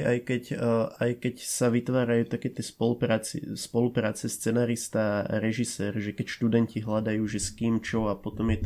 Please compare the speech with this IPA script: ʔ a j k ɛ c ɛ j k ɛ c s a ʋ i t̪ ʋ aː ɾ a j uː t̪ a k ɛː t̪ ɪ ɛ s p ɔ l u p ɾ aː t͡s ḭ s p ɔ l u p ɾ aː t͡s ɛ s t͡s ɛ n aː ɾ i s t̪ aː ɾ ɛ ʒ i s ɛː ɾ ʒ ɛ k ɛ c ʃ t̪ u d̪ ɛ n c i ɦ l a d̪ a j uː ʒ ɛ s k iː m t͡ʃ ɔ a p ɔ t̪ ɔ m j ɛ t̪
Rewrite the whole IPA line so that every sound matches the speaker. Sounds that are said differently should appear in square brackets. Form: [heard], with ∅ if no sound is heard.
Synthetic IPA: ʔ a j k ɛ c [a] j k ɛ c s a ʋ i t̪ ʋ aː ɾ a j uː t̪ a k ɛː t̪ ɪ ɛ s p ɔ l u p ɾ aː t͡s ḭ s p ɔ l u p ɾ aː t͡s ɛ s t͡s ɛ n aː ɾ i s t̪ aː ɾ ɛ ʒ i s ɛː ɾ ʒ ɛ k ɛ c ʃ t̪ u d̪ ɛ n c i ɦ l a d̪ a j uː ʒ ɛ s k iː m t͡ʃ ɔ a p ɔ t̪ ɔ m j ɛ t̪